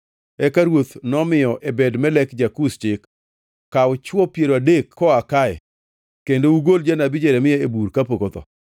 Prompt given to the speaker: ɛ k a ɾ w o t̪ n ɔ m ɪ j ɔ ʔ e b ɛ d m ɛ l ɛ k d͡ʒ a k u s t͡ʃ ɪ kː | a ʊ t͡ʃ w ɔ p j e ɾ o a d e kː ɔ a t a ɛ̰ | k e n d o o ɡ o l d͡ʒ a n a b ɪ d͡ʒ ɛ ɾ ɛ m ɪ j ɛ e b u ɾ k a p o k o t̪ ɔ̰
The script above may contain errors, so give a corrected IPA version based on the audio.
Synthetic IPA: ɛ k a ɾ w o t̪ n ɔ m ɪ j ɔ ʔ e b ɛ d m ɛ l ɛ k d͡ʒ a k u s t͡ʃ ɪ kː | a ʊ t͡ʃ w ɔ p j e ɾ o a d e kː ɔ a k a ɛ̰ | k e n d o u ɡ o l d͡ʒ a n a b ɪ d͡ʒ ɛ ɾ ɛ m ɪ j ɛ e b u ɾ k a p o k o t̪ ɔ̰